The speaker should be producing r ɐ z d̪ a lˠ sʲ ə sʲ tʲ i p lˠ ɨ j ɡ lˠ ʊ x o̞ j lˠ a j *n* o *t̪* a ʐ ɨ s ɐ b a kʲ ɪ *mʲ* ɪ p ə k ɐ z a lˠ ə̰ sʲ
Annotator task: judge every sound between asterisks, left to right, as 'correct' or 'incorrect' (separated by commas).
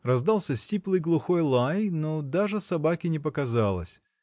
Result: correct, incorrect, incorrect